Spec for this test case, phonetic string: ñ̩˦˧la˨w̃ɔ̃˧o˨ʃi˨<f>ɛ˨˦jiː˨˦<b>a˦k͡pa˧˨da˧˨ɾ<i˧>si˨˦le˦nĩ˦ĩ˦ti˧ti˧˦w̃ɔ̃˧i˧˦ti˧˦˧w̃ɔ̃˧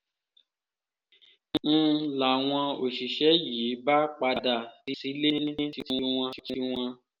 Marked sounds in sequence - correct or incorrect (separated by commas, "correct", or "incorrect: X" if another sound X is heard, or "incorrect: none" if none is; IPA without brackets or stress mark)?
incorrect: ʃ, correct, correct